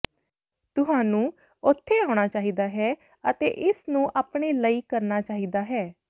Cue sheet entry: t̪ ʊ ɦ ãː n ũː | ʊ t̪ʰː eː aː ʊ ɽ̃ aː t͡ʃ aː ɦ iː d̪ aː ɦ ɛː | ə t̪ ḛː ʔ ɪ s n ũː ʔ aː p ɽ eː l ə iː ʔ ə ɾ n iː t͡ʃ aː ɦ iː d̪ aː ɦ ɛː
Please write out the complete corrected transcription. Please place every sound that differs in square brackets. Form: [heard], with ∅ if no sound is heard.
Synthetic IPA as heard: t̪ ʊ ɦ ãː n ũː | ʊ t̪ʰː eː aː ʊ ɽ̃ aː t͡ʃ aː ɦ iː d̪ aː ɦ ɛː | ə t̪ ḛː ʔ ɪ s n ũː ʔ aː p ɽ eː l ə iː [k] ə ɾ n [aː] t͡ʃ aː ɦ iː d̪ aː ɦ ɛː